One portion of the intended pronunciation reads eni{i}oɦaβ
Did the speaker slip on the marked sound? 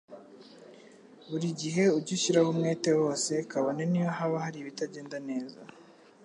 yes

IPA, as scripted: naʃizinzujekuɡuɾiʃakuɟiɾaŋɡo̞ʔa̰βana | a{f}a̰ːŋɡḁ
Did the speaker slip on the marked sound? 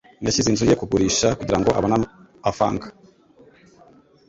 no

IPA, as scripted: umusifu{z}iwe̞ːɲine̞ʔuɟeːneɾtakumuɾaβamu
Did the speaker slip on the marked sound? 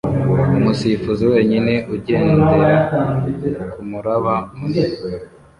no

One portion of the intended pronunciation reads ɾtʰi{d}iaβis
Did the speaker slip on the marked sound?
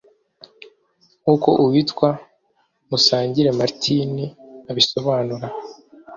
yes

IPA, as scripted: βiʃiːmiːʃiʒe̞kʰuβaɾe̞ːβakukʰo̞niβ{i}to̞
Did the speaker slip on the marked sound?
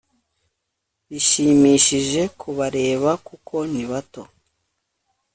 yes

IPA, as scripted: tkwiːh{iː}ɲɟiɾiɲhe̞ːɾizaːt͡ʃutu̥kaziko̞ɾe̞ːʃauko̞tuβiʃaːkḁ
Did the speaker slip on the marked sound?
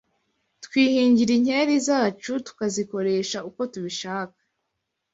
no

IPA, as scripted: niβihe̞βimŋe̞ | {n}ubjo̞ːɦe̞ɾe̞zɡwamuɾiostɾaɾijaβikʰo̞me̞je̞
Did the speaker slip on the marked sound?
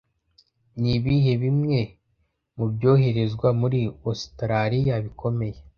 yes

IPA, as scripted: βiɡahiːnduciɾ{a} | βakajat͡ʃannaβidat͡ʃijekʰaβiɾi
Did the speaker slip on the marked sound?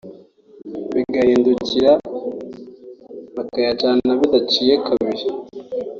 no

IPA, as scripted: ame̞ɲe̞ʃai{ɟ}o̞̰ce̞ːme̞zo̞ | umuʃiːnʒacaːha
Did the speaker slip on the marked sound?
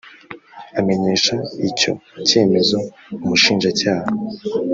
yes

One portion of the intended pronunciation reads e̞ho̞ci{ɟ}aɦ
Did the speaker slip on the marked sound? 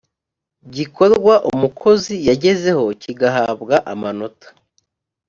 yes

